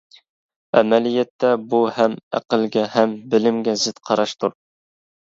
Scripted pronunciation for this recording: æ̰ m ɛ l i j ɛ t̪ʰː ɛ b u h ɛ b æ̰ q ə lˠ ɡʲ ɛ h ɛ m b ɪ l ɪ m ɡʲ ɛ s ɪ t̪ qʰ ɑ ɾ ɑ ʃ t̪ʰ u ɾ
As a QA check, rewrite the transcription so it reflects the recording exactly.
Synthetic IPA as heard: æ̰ m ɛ l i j ɛ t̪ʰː ɛ b u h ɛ m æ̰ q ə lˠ ɡʲ ɛ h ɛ m b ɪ l ɪ m ɡʲ ɛ z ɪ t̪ qʰ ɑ ɾ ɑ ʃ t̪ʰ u ɾ